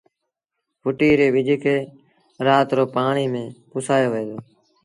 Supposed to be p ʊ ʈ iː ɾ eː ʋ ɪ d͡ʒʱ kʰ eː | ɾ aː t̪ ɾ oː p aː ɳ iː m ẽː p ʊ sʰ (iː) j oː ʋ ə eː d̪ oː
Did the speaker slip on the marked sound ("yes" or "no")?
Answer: yes